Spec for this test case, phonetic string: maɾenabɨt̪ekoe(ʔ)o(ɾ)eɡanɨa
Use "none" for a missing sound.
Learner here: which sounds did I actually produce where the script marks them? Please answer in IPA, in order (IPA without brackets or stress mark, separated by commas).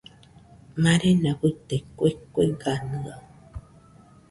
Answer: k, none